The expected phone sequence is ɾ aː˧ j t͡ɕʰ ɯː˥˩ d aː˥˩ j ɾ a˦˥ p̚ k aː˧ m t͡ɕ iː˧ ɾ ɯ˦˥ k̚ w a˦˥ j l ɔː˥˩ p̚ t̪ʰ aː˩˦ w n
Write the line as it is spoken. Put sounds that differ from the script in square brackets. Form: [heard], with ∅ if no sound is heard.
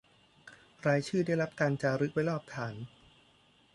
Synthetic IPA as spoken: ɾ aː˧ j t͡ɕʰ ɯː˥˩ d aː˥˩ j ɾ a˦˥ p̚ k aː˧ [n] t͡ɕ [aː˧] ɾ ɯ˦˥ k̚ w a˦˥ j l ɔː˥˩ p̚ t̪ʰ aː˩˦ [∅] n